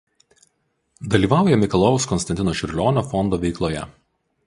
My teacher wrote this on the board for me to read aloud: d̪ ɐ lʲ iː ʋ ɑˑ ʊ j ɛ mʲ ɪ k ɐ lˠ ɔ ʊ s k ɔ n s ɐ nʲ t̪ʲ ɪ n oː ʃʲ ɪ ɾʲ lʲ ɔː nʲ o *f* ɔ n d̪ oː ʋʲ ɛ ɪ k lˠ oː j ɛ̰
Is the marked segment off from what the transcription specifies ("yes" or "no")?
no